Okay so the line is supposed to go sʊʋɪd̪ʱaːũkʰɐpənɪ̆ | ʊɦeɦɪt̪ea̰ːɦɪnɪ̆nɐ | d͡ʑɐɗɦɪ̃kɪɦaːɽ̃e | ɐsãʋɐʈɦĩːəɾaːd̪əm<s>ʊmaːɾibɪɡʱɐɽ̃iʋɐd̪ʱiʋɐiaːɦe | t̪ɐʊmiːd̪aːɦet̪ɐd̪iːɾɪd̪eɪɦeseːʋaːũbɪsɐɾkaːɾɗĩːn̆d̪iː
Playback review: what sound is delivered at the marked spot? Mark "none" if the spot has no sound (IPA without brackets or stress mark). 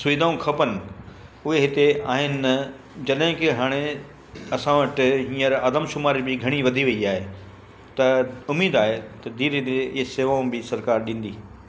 ʃ